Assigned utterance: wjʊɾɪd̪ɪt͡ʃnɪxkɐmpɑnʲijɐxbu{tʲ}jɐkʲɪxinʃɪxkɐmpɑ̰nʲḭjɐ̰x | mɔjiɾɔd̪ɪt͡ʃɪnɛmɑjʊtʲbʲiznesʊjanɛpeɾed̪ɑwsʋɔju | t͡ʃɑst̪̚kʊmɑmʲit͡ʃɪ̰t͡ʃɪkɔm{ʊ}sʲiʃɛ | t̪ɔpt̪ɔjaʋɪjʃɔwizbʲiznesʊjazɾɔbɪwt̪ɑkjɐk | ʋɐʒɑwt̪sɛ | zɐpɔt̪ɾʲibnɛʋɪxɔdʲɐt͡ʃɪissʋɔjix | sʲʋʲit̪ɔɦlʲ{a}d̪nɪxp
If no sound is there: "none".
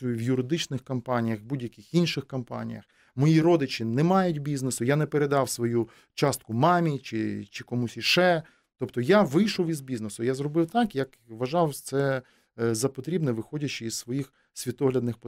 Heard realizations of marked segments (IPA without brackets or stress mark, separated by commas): dʲ, u, ɐ